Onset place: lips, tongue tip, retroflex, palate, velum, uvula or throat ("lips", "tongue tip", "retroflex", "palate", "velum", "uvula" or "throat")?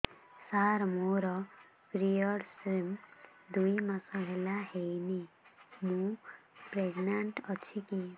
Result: tongue tip